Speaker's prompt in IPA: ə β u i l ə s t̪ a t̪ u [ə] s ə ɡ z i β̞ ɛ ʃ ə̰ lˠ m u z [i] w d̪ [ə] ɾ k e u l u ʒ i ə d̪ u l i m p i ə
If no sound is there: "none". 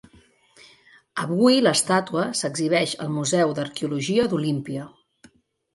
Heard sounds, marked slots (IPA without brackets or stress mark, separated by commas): ə, ɛ, ə